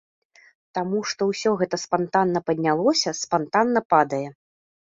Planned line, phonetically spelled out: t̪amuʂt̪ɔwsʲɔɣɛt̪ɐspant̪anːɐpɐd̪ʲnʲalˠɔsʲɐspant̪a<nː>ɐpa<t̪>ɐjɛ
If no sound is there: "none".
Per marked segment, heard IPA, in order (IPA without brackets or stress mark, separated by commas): nː, d̪